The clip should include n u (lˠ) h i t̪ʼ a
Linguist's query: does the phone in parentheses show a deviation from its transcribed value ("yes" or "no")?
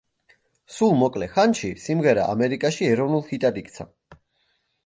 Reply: no